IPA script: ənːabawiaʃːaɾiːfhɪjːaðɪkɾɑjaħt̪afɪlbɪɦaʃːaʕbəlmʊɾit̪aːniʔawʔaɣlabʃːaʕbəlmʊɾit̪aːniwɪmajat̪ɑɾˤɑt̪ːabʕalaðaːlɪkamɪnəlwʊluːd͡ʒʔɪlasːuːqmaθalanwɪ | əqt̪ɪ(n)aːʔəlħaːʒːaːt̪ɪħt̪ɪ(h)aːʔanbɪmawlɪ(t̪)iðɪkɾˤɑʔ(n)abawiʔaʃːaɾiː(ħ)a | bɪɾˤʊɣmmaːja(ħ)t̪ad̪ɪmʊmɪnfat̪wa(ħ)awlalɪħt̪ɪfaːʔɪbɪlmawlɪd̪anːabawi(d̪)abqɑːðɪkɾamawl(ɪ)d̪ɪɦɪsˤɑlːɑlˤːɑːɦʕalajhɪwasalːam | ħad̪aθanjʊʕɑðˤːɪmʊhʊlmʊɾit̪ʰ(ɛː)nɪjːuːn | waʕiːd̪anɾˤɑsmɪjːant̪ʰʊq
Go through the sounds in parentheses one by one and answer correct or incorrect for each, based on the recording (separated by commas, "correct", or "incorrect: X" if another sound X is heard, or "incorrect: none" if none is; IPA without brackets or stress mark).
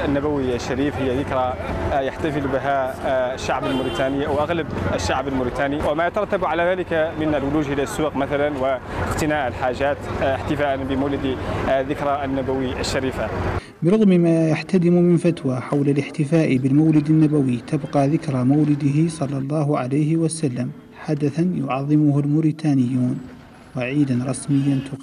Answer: correct, incorrect: f, incorrect: d̪, incorrect: nː, incorrect: f, correct, correct, incorrect: t̪, correct, incorrect: aː